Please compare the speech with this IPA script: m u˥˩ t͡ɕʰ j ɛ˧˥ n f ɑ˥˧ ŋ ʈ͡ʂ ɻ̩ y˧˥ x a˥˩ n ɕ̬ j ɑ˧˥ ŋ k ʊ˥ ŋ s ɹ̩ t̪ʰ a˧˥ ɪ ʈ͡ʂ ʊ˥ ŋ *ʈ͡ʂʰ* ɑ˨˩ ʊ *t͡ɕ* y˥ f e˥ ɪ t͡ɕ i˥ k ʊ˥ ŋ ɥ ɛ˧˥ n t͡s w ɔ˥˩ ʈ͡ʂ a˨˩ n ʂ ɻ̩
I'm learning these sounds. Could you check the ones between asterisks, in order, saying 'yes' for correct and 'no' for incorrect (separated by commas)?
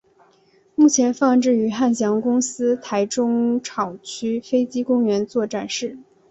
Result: yes, no